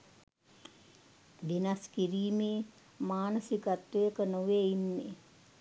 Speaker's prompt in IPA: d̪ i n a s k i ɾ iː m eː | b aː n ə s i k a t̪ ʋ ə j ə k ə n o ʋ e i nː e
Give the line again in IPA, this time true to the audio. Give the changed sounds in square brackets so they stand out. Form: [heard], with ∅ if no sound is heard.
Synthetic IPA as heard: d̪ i n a s k i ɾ iː m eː | [m] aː n ə s i k a t̪ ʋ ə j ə k ə n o ʋ e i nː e